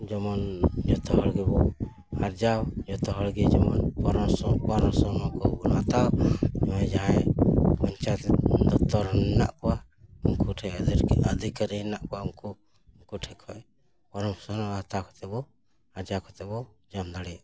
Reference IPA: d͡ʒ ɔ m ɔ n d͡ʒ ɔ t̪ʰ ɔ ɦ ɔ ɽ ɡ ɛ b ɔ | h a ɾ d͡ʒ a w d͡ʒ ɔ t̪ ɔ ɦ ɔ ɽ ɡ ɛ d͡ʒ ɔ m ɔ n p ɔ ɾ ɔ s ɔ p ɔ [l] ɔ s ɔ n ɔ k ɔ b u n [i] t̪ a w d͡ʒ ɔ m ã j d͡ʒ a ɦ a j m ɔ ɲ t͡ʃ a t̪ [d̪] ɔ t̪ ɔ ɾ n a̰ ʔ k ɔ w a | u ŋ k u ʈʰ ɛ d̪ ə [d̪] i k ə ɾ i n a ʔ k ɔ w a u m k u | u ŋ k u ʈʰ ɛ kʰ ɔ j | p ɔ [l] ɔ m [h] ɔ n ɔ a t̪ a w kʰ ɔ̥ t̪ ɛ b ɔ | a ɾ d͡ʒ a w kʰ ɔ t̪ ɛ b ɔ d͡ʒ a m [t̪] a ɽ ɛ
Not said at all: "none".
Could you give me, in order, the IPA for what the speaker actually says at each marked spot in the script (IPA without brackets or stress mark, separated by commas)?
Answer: ɾ, a, d̪, d̪, ɾ, s, d̪